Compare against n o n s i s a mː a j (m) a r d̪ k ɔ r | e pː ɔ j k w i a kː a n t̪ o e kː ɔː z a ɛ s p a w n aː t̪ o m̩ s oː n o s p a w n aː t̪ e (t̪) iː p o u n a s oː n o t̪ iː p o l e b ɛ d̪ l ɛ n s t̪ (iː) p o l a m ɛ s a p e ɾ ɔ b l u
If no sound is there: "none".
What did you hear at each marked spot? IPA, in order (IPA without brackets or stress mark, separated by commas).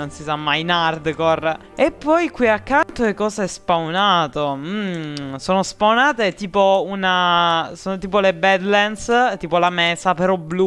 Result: n, t̪, iː